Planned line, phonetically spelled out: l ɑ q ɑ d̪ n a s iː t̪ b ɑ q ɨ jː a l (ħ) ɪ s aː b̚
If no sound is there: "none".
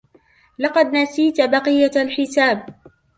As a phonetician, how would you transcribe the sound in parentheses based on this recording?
ħ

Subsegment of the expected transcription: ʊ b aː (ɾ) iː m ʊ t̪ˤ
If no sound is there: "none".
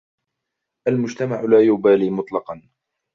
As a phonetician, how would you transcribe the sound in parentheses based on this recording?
l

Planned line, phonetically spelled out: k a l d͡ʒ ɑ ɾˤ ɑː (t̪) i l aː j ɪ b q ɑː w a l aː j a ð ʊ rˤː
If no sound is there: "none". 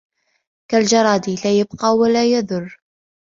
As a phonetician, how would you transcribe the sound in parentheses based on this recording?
d̪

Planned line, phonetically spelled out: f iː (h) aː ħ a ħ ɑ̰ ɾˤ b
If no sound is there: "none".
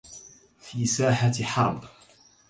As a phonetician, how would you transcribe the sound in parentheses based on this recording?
s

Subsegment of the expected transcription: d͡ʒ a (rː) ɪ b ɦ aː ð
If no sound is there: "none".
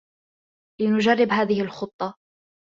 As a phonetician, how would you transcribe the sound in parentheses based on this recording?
rː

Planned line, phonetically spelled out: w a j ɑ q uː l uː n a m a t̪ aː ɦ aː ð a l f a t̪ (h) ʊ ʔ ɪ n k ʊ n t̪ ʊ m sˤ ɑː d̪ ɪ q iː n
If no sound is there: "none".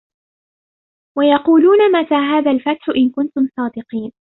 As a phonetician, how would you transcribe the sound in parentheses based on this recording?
ħ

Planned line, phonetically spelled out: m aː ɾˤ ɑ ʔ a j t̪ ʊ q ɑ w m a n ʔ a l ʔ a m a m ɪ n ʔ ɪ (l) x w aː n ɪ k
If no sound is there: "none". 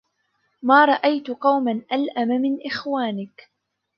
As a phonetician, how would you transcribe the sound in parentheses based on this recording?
none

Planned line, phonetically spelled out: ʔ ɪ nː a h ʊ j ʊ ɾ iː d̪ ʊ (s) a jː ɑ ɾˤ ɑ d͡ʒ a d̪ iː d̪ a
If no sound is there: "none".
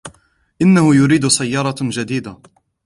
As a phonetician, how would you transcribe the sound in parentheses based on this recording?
s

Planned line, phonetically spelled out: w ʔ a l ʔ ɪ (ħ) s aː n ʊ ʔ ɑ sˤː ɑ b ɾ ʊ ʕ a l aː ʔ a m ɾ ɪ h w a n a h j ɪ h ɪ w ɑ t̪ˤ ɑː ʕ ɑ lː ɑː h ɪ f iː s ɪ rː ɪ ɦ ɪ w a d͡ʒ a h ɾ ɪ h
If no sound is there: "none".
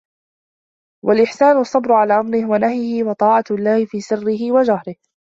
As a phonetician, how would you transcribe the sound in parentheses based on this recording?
ħ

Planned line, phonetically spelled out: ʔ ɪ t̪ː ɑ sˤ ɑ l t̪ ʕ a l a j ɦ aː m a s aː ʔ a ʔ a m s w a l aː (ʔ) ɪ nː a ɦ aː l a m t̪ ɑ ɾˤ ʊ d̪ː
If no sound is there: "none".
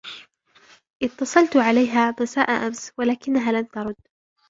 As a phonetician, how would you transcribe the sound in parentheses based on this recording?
k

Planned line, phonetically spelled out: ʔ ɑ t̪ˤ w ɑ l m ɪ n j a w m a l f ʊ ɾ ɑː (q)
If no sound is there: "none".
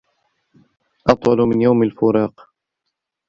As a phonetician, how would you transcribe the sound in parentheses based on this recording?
q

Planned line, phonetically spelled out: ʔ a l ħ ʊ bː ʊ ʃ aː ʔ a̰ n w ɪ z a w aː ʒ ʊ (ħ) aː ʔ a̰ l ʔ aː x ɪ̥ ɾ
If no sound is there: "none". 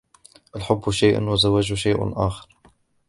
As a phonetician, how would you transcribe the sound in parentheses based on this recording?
ʃ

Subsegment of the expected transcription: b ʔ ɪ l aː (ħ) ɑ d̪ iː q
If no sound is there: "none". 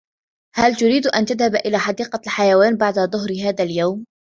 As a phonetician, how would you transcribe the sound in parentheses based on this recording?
ħ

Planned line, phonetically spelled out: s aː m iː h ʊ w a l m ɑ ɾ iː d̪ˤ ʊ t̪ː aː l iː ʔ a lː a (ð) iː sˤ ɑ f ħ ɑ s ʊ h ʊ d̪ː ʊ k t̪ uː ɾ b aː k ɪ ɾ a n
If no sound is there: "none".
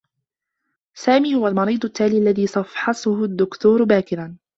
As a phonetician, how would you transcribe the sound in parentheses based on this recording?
ð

